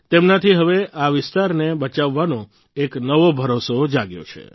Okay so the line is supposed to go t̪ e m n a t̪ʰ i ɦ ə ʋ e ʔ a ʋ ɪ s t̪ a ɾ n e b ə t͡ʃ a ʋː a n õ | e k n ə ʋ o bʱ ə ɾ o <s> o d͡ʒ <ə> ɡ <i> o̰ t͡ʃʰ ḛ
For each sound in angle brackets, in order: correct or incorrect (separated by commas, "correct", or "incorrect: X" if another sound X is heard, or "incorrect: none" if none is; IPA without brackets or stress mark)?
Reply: correct, incorrect: a, incorrect: j